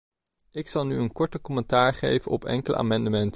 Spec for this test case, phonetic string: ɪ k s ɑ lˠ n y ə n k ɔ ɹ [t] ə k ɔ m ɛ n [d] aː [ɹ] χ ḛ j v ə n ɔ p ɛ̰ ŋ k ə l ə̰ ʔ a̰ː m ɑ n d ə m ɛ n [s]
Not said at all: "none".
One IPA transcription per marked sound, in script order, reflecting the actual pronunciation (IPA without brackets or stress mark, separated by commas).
t, t, ɹ, t